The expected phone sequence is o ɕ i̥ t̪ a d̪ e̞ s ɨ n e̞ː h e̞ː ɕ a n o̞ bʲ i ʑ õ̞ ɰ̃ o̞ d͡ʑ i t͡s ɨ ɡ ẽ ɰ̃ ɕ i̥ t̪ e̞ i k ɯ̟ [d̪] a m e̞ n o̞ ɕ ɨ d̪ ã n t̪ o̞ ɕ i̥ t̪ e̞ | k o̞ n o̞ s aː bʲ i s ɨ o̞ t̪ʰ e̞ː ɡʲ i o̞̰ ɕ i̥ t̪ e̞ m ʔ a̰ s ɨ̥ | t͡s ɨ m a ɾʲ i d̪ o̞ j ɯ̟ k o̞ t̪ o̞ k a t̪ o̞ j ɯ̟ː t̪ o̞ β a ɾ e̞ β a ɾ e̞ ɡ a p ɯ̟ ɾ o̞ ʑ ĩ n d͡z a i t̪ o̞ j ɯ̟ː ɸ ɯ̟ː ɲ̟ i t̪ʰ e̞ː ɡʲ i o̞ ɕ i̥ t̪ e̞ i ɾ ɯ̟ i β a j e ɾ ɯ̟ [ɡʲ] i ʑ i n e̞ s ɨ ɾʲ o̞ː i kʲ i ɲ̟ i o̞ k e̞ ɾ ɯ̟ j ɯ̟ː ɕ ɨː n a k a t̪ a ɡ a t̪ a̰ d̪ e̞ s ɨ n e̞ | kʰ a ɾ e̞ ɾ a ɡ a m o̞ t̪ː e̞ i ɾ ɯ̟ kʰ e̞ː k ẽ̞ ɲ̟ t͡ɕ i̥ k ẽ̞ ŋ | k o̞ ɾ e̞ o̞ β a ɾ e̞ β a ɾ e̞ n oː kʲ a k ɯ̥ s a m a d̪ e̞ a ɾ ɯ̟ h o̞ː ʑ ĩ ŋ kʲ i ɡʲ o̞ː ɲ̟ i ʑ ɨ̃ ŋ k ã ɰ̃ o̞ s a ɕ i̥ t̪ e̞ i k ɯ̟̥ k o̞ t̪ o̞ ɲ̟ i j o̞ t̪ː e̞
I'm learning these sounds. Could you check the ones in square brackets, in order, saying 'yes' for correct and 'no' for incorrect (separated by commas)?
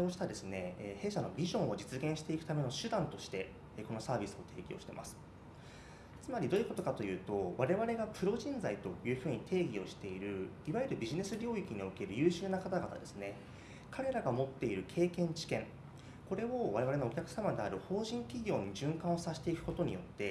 no, no